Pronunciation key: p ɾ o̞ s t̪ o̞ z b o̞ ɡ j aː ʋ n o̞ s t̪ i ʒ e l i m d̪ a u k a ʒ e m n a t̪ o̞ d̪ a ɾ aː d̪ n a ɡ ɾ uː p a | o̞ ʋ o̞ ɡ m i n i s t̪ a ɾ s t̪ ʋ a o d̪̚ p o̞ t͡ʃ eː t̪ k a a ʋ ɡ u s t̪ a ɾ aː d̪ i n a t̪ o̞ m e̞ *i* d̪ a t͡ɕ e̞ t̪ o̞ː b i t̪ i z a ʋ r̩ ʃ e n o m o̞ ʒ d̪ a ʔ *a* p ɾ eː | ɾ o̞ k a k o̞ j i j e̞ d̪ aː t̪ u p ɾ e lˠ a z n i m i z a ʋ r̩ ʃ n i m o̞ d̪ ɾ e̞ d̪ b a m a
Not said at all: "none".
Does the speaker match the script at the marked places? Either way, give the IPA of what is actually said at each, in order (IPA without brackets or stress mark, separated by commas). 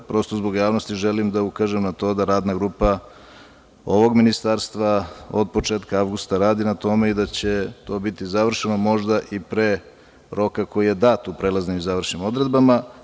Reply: i, i